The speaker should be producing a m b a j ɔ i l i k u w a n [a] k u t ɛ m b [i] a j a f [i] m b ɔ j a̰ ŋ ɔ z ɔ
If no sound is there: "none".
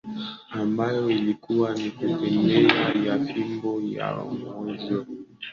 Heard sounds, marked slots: i, ɛ, i

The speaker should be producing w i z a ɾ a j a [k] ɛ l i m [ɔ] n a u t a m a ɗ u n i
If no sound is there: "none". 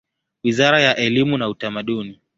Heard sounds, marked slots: ʔ, u

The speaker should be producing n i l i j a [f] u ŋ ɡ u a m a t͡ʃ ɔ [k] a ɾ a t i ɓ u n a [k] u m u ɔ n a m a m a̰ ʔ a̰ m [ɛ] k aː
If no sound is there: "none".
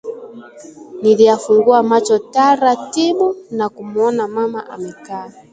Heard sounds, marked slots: f, t, k, ɛ

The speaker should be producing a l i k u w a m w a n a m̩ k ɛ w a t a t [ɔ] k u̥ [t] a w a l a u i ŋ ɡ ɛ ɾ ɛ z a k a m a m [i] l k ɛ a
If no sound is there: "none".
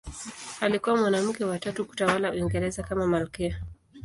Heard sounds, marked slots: u, t, a

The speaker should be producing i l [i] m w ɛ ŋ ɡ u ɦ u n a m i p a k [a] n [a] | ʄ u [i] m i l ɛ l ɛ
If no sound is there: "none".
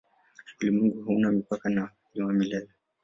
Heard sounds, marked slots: i, a, a, a

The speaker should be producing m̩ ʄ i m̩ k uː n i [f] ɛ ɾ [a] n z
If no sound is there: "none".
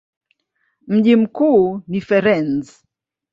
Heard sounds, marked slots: f, ɛ

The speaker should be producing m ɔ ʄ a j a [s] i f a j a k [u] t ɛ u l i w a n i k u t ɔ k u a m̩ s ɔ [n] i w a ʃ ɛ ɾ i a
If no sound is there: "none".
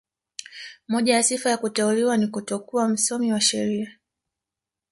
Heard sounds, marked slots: s, u, m

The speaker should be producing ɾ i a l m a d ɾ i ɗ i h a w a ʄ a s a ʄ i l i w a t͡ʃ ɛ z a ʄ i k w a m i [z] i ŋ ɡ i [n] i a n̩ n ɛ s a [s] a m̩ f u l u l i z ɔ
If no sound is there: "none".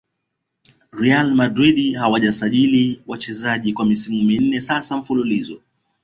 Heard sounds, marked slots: s, m, s

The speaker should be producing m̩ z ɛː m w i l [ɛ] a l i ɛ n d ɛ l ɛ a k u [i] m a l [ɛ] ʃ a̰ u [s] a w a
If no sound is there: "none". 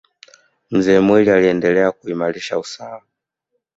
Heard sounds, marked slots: i, i, i, s

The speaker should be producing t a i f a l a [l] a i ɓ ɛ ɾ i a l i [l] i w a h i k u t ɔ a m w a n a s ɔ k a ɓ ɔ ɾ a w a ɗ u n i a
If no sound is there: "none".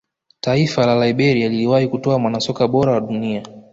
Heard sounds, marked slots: l, l

